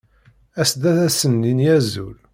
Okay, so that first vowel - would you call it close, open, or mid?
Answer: open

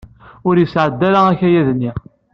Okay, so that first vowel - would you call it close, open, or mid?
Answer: close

